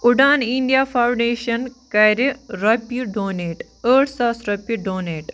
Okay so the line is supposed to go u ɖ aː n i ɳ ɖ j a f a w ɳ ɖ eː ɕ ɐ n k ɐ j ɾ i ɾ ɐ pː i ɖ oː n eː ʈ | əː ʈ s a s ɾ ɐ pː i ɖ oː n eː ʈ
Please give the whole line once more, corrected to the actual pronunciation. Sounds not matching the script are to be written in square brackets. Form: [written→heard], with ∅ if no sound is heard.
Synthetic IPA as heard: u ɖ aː n i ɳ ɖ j a f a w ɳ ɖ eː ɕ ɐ n k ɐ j ɾ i ɾ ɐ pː i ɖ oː n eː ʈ | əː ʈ s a s ɾ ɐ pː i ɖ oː n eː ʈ